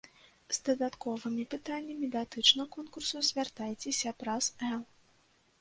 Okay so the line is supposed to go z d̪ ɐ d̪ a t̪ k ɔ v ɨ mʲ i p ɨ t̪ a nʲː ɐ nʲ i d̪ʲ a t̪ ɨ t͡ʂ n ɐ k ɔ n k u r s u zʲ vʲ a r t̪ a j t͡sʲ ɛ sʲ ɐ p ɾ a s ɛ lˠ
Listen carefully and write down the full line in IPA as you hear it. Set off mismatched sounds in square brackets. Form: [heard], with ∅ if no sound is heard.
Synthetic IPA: z d̪ ɐ d̪ a t̪ k ɔ v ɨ mʲ i p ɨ t̪ a nʲː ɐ [mʲ] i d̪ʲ a t̪ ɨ t͡ʂ n ɐ k ɔ n k u r s u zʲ vʲ a r t̪ a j t͡sʲ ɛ sʲ ɐ p ɾ a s ɛ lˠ